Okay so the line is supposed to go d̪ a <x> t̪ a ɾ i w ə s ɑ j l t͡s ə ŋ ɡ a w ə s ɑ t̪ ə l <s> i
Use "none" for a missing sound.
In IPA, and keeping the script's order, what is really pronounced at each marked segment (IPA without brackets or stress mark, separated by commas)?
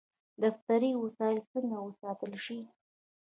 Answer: f, ʃ